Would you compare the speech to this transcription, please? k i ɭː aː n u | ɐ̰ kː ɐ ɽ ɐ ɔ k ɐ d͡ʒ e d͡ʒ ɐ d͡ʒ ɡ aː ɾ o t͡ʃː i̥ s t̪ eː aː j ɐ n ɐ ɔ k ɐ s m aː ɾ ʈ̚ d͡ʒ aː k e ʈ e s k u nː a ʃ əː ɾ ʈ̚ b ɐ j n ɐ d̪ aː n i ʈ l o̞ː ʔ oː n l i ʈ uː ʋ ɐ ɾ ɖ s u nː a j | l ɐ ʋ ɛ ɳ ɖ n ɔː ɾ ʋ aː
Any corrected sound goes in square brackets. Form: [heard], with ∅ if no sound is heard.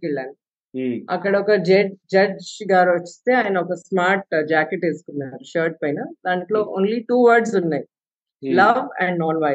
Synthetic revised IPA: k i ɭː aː n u | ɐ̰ kː ɐ ɽ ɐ ɔ k ɐ d͡ʒ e d͡ʒ ɐ d͡ʒ ɡ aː ɾ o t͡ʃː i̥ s t̪ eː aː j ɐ n ɐ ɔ k ɐ s m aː ɾ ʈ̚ d͡ʒ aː k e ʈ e s k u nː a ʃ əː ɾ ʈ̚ [p] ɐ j n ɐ d̪ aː n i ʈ l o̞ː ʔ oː n l i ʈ uː ʋ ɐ ɾ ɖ s u nː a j | l ɐ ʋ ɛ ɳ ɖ n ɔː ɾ ʋ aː